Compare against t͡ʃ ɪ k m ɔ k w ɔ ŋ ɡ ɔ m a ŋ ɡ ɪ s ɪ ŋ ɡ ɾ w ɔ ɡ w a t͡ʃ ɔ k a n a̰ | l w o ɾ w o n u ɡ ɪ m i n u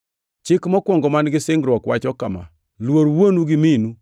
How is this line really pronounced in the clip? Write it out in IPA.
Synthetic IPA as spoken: t͡ʃ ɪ k m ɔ k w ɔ ŋ ɡ ɔ m a n ɡ ɪ s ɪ ŋ ɡ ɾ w ɔ k w a t͡ʃ ɔ k a m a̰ | l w o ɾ w o n u ɡ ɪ m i n u